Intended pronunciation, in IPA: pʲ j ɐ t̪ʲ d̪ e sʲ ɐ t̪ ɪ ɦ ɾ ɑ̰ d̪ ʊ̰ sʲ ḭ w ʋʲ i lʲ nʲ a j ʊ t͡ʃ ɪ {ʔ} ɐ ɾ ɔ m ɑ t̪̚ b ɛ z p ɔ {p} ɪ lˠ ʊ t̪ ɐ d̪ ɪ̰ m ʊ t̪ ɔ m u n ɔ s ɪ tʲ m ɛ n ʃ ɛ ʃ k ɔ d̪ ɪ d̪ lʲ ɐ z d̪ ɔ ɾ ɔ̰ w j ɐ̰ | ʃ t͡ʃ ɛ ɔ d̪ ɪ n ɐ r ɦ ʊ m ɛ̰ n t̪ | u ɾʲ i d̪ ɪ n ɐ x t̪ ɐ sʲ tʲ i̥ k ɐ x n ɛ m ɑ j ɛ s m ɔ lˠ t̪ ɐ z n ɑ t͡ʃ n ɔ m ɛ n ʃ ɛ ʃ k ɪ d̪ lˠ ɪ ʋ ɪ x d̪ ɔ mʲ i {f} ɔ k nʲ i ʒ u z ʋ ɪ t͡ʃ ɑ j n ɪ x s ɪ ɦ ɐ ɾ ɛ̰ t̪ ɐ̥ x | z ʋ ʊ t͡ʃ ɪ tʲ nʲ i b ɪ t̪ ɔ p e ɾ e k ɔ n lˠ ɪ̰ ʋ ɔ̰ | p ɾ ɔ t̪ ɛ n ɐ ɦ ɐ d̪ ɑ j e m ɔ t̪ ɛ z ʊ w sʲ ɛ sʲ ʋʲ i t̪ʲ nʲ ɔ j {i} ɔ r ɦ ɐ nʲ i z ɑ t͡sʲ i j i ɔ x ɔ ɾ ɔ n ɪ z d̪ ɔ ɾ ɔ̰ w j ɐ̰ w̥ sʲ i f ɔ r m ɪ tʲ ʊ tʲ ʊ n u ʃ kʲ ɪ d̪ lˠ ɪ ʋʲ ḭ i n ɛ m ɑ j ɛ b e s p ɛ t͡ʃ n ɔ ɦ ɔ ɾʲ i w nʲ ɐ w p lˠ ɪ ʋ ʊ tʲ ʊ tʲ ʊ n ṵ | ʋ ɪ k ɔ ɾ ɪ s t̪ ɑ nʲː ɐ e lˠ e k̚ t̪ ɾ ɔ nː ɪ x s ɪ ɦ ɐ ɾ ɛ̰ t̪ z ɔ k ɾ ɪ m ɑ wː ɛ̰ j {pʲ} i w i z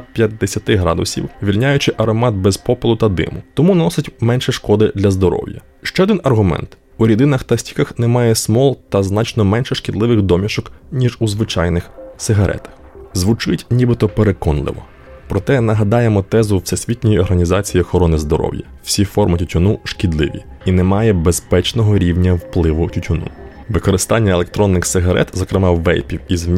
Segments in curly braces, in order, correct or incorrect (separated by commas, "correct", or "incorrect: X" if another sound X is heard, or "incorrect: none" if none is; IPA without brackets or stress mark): correct, correct, incorrect: ʃ, correct, correct